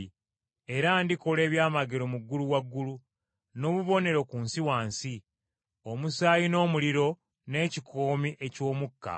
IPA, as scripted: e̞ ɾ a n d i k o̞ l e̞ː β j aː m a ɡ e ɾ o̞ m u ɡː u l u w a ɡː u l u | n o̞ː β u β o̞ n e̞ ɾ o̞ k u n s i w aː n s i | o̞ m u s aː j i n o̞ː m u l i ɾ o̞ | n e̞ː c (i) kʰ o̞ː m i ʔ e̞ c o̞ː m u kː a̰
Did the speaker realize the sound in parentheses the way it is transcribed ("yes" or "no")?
yes